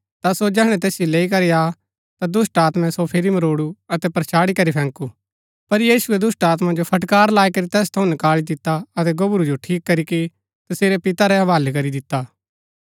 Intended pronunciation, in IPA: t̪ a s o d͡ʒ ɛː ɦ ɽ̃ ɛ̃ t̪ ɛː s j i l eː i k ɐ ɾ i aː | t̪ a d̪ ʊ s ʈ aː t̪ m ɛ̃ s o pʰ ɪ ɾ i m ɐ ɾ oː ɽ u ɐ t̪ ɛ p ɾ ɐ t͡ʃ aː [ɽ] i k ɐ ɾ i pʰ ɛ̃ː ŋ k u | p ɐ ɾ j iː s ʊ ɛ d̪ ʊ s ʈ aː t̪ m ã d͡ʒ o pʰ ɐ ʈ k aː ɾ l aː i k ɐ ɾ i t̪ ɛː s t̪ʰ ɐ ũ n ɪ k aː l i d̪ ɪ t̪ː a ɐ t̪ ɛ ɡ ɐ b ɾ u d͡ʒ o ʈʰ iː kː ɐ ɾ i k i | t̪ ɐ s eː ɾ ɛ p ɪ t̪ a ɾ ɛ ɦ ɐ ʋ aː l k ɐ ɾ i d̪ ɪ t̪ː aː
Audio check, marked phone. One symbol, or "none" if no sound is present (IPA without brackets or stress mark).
ɽ